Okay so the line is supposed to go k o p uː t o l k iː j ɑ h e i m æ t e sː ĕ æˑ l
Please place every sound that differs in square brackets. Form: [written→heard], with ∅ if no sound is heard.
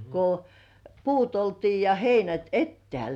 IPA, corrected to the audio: k o p uː t o l [k→t] iː j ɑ h e i [m→n] æ t e [sː→tː] ĕ æˑ l